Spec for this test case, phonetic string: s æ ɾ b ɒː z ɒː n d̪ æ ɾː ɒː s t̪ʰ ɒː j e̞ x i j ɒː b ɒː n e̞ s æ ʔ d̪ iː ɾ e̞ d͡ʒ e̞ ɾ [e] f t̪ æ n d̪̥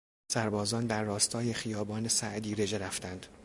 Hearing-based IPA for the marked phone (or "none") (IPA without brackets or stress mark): æ